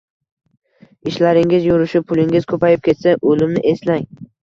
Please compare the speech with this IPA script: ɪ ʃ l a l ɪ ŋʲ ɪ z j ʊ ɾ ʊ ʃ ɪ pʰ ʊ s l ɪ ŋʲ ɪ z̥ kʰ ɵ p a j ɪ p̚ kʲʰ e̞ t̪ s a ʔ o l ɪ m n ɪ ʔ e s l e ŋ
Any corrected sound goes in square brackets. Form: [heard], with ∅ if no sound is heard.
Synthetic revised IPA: ɪ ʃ l a [ɾ] ɪ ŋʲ ɪ z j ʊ ɾ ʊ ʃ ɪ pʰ ʊ [∅] l ɪ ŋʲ ɪ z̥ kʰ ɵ p a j ɪ p̚ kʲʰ e̞ t̪ s a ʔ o l ɪ m n ɪ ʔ e s l [a] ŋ